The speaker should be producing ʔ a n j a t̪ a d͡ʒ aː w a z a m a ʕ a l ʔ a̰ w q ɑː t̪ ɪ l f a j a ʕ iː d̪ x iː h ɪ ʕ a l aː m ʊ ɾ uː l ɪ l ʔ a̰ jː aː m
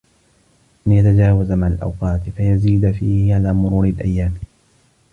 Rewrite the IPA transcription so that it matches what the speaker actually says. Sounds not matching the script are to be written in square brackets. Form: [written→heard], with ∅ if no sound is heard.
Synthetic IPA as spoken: ʔ a n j a t̪ a d͡ʒ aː w a z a m a ʕ a l ʔ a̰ w q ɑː t̪ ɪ [l→∅] f a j a [ʕ→z] iː d̪ [x→f] iː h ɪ ʕ a l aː m ʊ ɾ uː [l→ɾ] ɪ l ʔ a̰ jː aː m